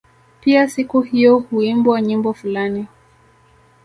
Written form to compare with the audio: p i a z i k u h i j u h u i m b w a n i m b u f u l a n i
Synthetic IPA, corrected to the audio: p i a s i k u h i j ɔ h u i m b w a ɲ i m b ɔ f u l a n i